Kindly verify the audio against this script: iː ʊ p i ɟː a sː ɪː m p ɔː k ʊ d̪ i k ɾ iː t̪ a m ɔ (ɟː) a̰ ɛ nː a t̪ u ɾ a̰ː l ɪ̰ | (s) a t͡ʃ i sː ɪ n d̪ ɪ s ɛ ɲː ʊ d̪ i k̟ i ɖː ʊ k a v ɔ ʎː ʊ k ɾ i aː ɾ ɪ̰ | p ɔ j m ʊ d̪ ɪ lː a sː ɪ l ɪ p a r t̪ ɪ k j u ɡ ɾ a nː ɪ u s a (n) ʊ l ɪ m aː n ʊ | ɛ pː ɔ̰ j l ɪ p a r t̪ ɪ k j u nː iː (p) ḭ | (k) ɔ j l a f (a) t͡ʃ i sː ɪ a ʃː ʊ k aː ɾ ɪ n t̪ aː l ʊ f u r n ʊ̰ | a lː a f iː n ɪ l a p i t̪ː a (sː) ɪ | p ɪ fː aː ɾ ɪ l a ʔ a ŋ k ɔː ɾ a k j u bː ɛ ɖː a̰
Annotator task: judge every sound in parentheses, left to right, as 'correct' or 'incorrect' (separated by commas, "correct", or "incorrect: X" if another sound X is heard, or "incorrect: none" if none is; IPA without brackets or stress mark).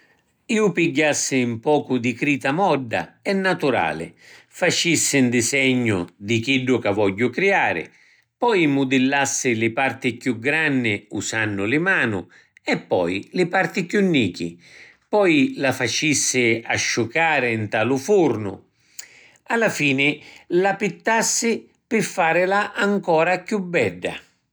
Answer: incorrect: ɖː, incorrect: f, incorrect: nː, incorrect: k, incorrect: p, correct, correct